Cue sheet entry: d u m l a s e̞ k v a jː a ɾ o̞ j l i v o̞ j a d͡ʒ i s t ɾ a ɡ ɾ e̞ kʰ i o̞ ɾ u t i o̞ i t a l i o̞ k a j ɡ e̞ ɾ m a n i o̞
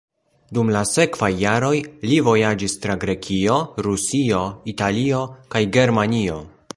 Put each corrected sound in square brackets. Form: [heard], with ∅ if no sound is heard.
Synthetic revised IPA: d u m l a s e̞ k v a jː a ɾ o̞ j l i v o̞ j a d͡ʒ i s t ɾ a ɡ ɾ e̞ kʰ i o̞ ɾ u [s] i o̞ i t a l i o̞ k a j ɡ e̞ ɾ m a n i o̞